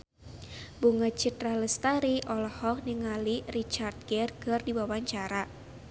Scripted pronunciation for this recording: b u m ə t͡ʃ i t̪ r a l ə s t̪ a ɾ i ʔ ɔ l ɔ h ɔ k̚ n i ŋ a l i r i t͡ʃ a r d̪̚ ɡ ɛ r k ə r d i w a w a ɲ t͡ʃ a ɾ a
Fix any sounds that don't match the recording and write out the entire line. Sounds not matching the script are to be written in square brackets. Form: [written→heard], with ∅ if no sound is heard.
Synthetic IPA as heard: b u [m→ŋ] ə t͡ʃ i t̪ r a l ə s t̪ a ɾ i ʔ ɔ l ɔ h ɔ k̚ n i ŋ a l i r i t͡ʃ a r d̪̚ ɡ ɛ r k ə r d i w a w a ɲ t͡ʃ a ɾ a